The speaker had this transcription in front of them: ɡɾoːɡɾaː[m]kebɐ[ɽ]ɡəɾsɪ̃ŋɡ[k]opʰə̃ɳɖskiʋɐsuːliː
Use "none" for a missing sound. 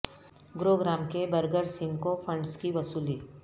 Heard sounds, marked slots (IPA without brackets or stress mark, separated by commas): m, ɾ, k